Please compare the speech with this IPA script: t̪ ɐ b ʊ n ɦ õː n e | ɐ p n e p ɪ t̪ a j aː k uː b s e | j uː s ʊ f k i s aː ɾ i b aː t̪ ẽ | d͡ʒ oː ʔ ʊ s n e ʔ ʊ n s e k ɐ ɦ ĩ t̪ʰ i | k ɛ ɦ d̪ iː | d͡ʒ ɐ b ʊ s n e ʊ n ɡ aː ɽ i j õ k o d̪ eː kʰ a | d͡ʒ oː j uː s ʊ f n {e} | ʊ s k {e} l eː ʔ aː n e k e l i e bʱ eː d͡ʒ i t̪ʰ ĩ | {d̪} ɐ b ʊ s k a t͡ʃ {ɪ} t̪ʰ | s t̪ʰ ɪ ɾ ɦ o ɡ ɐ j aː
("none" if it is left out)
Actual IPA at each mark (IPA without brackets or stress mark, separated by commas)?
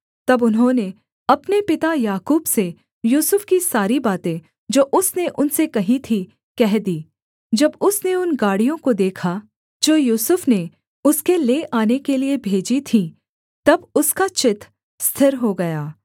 e, e, t̪, ɪ